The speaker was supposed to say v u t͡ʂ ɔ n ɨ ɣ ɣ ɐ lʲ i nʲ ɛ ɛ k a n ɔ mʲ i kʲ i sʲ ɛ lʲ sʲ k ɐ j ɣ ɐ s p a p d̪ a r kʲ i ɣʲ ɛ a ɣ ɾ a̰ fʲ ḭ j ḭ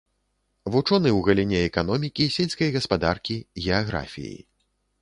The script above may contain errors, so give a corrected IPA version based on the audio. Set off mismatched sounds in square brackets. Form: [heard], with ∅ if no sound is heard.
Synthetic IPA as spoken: v u t͡ʂ ɔ n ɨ [w] ɣ ɐ lʲ i nʲ ɛ ɛ k a n ɔ mʲ i kʲ i sʲ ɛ lʲ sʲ k ɐ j ɣ ɐ s p a [∅] d̪ a r kʲ i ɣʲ ɛ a ɣ ɾ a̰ fʲ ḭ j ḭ